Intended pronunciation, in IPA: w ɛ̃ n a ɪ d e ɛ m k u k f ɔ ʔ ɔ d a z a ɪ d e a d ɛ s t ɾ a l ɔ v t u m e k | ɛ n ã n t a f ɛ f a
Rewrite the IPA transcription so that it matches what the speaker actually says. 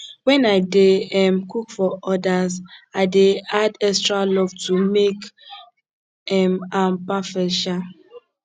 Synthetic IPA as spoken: w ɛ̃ n a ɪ d e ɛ m k u k f ɔ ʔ ɔ d a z a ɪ d e a d ɛ s t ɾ a l ɔ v t u m e k | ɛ m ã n p a f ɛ ʃ a